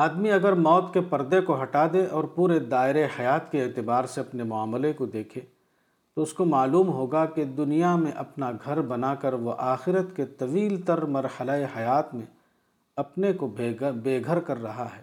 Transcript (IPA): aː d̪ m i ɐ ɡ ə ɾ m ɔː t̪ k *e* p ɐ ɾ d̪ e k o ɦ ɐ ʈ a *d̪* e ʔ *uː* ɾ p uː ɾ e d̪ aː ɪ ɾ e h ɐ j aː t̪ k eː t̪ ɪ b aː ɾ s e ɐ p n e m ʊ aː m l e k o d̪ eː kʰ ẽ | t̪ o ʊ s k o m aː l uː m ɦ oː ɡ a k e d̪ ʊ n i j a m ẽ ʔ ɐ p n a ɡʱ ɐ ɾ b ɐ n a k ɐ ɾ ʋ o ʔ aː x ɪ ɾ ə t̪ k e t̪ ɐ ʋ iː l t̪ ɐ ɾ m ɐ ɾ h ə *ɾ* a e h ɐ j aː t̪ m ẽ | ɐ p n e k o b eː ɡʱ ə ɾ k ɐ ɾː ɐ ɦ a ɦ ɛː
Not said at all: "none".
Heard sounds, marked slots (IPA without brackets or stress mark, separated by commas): e, d̪, ɔː, l